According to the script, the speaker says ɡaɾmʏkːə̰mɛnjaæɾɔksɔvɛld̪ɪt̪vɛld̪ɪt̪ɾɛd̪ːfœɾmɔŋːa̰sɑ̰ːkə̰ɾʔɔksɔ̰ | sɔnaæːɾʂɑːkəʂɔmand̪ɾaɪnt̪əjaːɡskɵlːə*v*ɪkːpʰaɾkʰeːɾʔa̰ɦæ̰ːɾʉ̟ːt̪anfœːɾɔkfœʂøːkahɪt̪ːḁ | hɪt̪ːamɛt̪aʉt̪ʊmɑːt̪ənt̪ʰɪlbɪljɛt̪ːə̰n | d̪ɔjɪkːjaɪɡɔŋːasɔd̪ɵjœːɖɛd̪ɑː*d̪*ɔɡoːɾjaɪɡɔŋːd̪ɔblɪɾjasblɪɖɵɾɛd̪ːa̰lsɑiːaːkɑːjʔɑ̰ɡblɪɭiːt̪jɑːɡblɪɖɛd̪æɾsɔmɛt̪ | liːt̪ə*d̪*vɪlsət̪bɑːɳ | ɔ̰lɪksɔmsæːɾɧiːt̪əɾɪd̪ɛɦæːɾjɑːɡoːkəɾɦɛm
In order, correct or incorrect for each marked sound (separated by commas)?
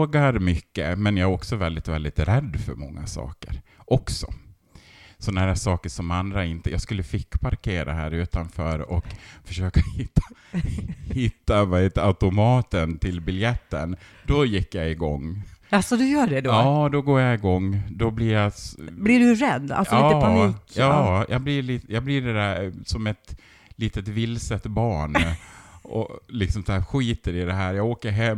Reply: incorrect, correct, incorrect